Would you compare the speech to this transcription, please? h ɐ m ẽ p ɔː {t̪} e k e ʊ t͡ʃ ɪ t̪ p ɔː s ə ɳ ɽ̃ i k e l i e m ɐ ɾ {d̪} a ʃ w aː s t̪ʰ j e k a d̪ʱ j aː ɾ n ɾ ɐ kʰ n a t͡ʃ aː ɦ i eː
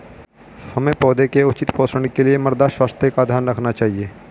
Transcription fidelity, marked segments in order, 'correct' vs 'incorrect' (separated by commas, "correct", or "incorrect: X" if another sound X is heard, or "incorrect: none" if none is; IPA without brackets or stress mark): incorrect: d̪, correct